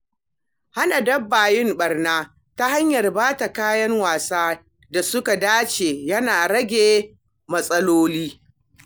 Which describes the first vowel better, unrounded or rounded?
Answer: unrounded